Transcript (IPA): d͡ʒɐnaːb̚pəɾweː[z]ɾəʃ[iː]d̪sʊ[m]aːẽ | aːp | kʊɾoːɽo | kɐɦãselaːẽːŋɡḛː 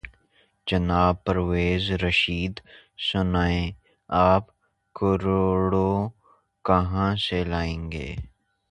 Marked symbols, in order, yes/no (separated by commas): yes, yes, no